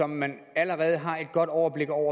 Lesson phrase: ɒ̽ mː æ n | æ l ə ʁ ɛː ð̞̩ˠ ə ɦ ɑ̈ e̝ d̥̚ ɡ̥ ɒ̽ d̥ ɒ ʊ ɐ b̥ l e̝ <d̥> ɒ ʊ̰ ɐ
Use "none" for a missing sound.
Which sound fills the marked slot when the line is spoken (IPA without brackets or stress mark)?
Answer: ɡ̥